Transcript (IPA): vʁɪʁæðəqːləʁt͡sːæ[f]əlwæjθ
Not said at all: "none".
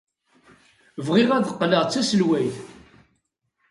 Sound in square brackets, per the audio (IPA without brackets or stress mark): s